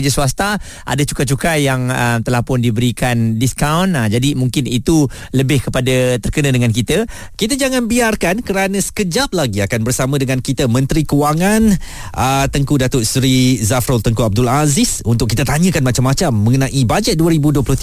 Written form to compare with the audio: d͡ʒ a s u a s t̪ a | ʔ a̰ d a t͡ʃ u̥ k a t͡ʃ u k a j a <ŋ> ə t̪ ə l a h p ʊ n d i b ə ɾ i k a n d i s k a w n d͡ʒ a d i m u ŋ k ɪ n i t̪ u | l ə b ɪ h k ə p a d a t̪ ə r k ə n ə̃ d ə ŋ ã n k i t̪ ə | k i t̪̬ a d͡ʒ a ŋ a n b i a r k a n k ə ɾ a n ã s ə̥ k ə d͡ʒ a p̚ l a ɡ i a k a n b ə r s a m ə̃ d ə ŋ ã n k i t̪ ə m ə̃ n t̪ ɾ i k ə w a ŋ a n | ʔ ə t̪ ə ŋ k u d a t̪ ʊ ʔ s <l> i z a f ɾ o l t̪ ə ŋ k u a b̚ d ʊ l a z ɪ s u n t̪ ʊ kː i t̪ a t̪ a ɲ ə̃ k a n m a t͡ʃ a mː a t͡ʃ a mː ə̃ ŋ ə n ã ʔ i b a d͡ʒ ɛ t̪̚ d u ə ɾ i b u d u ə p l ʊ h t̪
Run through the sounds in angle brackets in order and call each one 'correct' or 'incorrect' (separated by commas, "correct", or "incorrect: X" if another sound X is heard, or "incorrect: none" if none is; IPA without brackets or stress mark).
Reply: correct, incorrect: ɾ